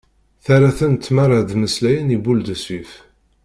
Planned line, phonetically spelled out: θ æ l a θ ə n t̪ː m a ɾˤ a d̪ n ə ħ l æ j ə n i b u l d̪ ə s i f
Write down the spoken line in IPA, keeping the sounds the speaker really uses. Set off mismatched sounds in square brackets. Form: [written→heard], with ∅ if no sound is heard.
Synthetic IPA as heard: θ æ [l→ɾ] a θ ə n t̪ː m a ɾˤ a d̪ [n→m] ə [ħ→s] l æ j ə n i b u l d̪ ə s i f